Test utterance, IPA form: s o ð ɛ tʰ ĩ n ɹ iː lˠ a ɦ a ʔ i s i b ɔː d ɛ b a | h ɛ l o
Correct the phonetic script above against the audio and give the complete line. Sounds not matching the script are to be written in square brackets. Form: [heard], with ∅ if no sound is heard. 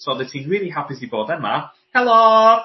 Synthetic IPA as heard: s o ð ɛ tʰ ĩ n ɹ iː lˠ [i] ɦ a [p] i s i b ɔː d ɛ [m] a | h ɛ l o